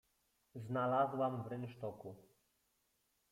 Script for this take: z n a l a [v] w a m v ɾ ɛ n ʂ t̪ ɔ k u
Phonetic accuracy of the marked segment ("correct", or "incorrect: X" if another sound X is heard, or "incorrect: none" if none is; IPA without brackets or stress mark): incorrect: z